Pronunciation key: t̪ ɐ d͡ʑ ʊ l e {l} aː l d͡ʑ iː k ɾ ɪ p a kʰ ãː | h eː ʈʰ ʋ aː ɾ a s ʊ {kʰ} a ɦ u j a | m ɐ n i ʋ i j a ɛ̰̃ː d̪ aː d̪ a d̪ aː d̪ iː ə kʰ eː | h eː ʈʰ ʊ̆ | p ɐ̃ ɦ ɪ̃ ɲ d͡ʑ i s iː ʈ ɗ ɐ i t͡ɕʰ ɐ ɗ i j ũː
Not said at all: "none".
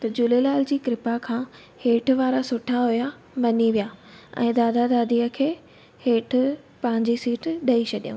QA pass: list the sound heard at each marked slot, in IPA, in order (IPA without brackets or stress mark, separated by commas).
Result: l, ʈʰ